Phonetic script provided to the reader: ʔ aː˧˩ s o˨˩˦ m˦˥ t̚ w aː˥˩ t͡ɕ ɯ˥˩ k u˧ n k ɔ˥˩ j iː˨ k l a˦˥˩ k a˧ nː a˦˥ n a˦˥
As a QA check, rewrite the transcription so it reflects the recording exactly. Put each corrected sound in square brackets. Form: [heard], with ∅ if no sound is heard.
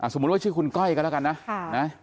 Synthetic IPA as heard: ʔ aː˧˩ s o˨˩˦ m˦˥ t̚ w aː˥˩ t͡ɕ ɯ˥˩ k u˧ n k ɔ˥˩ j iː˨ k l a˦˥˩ k a˧ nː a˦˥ n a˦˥